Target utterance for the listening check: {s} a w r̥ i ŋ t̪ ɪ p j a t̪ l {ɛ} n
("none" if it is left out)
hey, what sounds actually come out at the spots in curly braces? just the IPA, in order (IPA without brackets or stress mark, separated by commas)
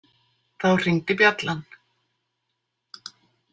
θ, a